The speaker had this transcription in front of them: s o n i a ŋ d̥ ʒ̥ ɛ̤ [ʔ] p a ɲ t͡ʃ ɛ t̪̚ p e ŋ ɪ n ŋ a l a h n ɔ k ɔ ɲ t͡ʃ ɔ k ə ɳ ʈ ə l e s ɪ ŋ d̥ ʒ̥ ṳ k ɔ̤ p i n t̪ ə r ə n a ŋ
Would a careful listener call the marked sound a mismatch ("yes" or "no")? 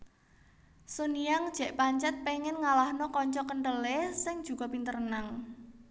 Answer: no